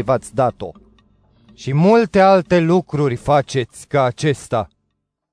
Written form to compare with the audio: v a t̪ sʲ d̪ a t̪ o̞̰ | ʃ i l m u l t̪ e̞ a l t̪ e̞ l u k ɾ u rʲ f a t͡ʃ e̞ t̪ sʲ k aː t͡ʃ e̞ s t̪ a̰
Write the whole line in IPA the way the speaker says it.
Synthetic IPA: v a t̪ sʲ d̪ a t̪ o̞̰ | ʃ i m u l t̪ e̞ a l t̪ e̞ l u k ɾ u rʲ f a t͡ʃ e̞ t̪ sʲ k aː t͡ʃ e̞ s t̪ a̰